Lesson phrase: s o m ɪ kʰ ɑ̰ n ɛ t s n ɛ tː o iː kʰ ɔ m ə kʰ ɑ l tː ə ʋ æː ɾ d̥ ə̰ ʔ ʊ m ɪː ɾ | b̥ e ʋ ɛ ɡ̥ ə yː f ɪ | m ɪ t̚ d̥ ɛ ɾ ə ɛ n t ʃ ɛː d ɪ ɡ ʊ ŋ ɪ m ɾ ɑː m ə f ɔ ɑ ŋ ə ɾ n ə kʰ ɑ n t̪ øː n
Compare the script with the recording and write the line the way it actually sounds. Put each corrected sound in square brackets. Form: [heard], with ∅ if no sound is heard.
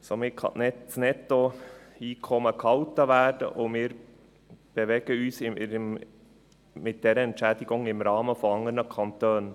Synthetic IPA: s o m ɪ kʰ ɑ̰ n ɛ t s n ɛ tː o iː kʰ ɔ m ə kʰ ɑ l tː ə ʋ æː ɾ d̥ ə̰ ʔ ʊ m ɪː ɾ | b̥ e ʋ ɛ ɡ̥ ə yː [s] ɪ | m ɪ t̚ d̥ ɛ ɾ ə ɛ n t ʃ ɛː d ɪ ɡ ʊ ŋ ɪ m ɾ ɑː m ə f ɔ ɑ ŋ ə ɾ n ə kʰ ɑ n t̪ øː n

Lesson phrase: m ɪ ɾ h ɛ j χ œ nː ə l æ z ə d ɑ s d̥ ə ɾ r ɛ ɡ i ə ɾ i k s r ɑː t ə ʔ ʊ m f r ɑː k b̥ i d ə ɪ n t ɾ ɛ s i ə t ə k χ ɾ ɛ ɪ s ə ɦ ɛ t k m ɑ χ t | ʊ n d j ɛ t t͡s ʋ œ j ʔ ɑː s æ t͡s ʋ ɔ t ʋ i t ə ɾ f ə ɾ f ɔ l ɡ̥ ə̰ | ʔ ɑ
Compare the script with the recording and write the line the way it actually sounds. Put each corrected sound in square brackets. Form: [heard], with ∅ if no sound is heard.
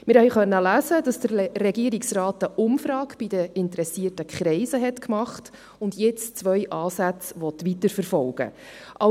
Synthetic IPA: m ɪ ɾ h ɛ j χ œ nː ə l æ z ə d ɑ s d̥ ə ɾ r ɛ ɡ i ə ɾ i k s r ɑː t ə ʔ ʊ m f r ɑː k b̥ i d ə ɪ n t ɾ ɛ s i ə t ə k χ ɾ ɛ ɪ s ə ɦ ɛ t k m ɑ χ t | ʊ n d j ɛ [t͡s] t͡s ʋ œ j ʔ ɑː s æ t͡s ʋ ɔ t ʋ i t ə ɾ f ə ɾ f ɔ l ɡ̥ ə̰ | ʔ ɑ

